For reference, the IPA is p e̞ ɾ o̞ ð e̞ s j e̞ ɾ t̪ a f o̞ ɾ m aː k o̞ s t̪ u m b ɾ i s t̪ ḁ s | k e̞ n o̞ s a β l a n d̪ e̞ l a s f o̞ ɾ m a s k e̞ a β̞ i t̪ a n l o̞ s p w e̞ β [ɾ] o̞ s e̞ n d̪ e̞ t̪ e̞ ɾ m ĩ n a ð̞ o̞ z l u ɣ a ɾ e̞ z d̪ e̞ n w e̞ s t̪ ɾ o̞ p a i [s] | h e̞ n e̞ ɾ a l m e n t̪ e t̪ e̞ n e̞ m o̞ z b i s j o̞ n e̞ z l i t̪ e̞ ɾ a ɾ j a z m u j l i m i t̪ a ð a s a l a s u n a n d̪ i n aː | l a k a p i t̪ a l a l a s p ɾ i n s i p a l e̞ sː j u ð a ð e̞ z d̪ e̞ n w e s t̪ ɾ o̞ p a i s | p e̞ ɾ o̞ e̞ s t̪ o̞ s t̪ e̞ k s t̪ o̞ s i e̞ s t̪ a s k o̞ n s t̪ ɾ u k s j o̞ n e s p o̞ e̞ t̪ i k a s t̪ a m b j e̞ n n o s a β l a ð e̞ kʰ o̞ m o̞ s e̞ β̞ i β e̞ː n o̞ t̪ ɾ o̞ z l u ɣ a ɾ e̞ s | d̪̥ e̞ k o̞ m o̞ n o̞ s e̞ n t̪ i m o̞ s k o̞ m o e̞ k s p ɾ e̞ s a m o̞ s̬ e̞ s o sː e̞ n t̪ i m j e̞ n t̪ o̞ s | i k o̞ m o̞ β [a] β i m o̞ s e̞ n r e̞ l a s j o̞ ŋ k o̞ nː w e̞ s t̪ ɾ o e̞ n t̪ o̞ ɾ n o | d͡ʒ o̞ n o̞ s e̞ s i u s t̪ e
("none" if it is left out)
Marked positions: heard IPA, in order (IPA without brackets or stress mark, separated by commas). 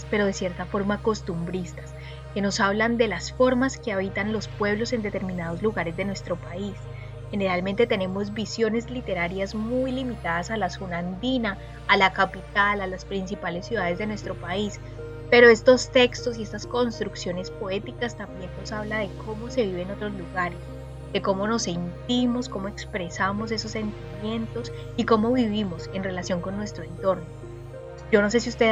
l, s, i